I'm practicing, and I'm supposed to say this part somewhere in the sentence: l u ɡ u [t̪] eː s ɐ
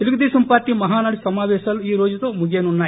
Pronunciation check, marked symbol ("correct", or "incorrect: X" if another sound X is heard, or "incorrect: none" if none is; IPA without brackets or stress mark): incorrect: d̪